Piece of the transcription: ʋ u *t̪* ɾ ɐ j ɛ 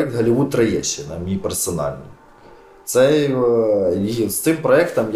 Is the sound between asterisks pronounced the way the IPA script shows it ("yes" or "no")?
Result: yes